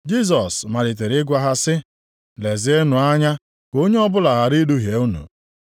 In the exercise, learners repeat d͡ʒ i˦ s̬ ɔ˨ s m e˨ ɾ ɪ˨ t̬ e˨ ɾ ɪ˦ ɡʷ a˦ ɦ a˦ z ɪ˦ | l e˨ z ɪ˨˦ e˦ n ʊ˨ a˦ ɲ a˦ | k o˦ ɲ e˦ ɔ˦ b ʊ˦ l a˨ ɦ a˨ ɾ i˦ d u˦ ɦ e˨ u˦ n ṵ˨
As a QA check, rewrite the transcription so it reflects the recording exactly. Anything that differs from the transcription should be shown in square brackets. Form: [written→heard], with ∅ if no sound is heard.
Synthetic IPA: d͡ʒ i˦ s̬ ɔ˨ s m [e˨→a˨] ɾ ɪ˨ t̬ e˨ ɾ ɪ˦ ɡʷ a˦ ɦ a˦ [z→s] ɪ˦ | l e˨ z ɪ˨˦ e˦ n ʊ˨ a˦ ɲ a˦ | k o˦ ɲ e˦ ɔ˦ b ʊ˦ l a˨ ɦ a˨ ɾ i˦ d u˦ ɦ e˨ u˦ n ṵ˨